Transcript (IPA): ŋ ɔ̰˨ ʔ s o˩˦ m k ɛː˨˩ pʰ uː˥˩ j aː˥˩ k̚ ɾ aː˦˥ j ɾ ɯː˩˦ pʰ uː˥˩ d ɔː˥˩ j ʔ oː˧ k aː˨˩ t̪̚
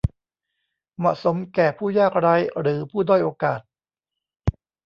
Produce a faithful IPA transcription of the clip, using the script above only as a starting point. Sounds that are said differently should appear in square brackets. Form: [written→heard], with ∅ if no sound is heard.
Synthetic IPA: [ŋ→m] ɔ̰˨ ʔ s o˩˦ m k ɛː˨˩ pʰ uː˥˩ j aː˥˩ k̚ ɾ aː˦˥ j ɾ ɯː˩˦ pʰ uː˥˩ d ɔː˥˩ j ʔ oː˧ k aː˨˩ t̪̚